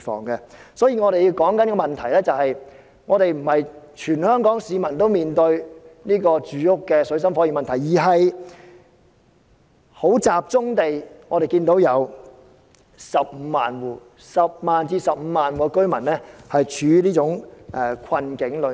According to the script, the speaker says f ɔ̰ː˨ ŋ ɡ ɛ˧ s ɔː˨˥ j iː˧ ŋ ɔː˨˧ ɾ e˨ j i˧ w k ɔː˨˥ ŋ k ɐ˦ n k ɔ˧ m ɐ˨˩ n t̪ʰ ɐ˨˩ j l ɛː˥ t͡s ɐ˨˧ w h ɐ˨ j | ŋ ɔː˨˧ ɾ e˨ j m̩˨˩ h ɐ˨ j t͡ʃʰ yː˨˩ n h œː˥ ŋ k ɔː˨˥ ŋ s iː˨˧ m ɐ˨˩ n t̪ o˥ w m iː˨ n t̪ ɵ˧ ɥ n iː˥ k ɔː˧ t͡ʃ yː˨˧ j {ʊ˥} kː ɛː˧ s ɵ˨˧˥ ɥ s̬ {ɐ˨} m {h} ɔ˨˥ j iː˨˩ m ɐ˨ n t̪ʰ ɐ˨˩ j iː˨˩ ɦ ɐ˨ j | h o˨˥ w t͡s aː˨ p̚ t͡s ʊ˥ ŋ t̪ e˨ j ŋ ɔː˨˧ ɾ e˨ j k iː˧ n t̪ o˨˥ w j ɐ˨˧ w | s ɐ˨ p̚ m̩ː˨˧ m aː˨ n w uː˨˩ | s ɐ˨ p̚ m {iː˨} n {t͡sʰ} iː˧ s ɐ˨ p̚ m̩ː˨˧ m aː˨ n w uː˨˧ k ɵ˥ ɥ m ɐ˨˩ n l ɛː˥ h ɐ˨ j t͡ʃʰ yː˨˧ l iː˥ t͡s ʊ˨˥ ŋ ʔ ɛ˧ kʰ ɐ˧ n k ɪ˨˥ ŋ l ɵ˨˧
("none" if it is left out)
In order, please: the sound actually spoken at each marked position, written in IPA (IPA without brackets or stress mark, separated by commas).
ʊ˥, ɐ˥, f, aː˨, t͡s